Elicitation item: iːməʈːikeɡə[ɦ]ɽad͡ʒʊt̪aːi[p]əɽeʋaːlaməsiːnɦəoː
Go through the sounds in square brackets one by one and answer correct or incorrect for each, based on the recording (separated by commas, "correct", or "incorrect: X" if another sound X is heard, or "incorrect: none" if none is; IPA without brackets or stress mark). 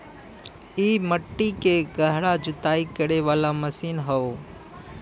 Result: correct, incorrect: k